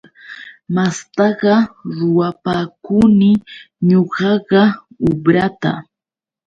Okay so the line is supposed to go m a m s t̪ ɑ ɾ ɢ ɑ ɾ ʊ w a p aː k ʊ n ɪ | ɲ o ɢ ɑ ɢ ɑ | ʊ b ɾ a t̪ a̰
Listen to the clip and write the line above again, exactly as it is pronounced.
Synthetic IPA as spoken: m a s t̪ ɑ ɢ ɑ ɾ ʊ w a p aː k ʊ n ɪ | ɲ o ɢ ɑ ɢ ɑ | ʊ b ɾ a t̪ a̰